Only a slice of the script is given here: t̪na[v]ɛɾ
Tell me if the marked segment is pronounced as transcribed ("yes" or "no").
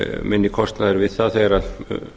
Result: no